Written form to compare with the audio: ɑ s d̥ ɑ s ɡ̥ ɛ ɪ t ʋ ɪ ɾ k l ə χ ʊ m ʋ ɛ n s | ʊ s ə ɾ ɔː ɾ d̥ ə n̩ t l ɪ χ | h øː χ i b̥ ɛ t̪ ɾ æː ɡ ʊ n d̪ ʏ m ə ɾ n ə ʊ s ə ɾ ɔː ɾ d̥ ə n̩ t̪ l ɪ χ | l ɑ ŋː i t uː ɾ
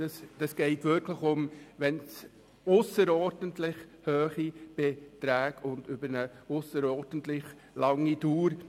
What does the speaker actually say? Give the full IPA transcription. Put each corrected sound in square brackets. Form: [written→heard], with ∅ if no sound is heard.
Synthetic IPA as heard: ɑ s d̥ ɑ s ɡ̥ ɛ ɪ t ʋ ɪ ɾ k l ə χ ʊ m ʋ ɛ n s | ʊ s ə ɾ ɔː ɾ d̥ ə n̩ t l ɪ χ | h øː χ i b̥ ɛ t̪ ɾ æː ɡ ʊ n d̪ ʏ [m→b] ə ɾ n ə ʊ s ə ɾ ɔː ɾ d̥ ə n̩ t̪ l ɪ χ | l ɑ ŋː i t uː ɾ